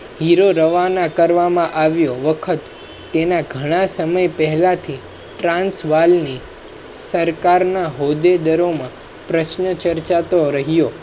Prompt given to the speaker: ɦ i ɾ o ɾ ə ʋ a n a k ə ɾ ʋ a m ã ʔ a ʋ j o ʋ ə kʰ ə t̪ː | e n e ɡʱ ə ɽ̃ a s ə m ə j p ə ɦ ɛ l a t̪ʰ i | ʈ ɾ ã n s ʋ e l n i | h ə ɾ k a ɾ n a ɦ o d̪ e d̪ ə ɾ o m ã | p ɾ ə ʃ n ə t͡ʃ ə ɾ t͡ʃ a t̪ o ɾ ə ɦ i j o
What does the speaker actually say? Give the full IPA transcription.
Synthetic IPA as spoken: ɦ i ɾ o ɾ ə ʋ a n a k ə ɾ ʋ a m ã ʔ a ʋ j o ʋ ə kʰ ə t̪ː | e n a ɡʱ ə ɽ̃ a s ə m ə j p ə ɦ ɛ l a t̪ʰ i | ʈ ɾ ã n s ʋ a l n i | s ə ɾ k a ɾ n a ɦ o d̪ e d̪ ə ɾ o m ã | p ɾ ə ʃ n ə t͡ʃ ə ɾ t͡ʃ a t̪ o ɾ ə ɦ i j o